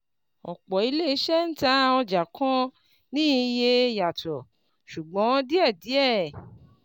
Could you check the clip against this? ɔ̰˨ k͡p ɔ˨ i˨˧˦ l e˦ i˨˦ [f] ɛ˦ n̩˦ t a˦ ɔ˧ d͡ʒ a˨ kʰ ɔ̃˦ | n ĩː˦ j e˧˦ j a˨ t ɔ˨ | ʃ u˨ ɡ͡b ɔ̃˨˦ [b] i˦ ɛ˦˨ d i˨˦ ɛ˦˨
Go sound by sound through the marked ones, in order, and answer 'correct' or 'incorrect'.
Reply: incorrect, incorrect

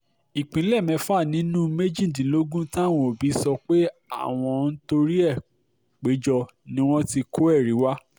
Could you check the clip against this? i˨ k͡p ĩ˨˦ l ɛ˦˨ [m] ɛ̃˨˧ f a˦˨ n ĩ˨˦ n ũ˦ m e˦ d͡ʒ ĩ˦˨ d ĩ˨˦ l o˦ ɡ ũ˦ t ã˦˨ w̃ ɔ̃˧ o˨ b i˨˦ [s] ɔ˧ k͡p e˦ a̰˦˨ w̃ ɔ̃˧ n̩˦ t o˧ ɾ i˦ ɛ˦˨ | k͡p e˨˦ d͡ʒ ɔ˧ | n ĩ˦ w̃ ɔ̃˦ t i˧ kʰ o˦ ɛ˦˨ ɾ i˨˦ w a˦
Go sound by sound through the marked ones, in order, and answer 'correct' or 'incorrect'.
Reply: correct, correct

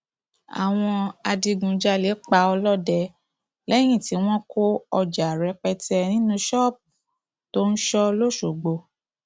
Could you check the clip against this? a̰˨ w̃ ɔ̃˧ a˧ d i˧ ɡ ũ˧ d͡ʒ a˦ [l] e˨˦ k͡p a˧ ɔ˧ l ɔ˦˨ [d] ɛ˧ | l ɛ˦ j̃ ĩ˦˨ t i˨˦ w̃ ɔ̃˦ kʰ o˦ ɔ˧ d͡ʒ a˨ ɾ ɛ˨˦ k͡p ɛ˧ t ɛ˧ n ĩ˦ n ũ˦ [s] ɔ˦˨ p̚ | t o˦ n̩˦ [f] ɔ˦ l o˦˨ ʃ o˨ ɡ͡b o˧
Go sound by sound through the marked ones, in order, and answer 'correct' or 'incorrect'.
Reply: correct, correct, incorrect, incorrect

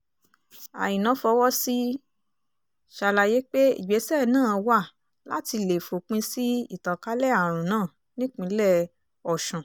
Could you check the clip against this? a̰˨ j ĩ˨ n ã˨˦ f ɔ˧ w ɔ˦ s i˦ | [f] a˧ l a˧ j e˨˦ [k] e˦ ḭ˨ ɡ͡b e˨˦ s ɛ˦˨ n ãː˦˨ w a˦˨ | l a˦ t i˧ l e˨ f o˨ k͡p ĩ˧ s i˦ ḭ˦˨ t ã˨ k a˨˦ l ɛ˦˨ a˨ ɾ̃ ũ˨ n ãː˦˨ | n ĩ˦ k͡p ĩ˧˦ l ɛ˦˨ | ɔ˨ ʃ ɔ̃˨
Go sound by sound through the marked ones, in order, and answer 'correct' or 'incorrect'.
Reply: incorrect, incorrect

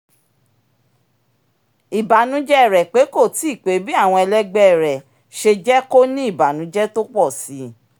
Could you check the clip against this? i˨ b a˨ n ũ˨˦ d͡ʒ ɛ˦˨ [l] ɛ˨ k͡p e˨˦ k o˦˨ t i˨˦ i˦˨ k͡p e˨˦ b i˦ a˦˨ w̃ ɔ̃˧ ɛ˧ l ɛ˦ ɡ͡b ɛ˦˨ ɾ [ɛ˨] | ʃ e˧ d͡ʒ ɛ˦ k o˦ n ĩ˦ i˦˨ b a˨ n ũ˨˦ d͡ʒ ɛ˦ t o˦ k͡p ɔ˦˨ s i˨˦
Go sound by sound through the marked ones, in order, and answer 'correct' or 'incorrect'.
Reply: incorrect, correct

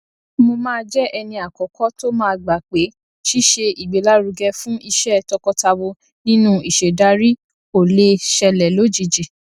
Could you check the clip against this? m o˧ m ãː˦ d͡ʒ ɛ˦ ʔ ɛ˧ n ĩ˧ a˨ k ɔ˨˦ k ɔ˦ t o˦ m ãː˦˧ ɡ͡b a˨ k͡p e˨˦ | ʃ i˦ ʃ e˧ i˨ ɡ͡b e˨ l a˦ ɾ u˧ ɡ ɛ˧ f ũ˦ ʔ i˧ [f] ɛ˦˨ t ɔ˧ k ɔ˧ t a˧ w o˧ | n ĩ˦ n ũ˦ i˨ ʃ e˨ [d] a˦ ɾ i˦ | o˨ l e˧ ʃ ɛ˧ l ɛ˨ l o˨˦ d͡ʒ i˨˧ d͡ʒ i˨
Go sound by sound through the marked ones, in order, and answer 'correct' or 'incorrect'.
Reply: incorrect, correct

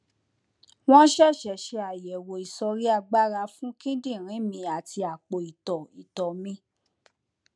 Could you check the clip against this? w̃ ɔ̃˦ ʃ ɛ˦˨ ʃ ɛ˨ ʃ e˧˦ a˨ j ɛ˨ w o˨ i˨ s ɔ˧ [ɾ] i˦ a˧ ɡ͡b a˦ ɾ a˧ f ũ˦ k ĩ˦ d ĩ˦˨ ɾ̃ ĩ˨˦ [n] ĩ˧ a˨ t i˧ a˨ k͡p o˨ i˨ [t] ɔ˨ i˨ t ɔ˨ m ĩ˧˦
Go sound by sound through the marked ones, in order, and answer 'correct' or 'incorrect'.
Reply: correct, incorrect, correct

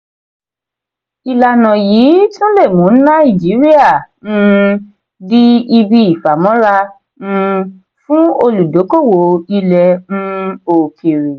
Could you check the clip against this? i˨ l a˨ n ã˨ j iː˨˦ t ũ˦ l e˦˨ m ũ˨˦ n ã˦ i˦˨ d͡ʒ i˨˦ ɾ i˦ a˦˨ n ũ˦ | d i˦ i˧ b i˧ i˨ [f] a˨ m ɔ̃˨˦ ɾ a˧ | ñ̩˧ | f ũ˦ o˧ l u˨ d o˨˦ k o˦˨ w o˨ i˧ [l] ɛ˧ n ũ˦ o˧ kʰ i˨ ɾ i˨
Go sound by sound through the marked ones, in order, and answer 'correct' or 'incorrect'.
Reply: correct, correct

